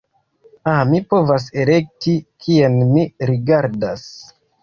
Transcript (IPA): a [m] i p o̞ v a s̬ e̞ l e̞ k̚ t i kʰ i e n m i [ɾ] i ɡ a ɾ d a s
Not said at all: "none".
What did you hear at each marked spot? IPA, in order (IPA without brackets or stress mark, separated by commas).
m, ɾ